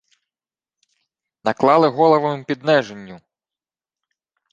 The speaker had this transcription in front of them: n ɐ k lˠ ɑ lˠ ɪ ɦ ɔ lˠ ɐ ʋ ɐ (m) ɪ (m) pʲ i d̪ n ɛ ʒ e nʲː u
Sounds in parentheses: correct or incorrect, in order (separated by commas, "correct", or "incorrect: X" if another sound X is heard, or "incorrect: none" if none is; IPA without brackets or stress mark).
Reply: correct, correct